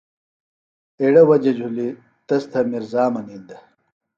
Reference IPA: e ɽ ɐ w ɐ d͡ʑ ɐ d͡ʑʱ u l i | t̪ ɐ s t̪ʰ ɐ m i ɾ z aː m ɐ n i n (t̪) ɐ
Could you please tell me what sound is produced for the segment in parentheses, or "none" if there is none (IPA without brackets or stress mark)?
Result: d̪